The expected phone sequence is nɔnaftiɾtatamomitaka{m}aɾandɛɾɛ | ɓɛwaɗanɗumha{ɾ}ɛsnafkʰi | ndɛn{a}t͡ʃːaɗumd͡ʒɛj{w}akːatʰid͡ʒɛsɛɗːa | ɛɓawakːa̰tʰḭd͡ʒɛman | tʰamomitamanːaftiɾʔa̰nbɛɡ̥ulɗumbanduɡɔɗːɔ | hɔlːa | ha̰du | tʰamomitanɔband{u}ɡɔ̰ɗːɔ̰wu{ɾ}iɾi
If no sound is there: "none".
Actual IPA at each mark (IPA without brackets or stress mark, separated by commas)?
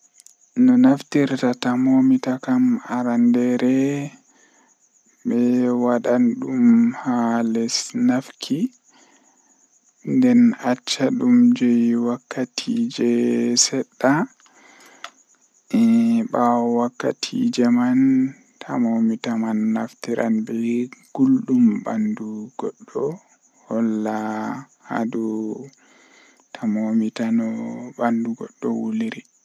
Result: m, l, a, w, u, l